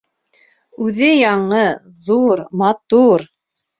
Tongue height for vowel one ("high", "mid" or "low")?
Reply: high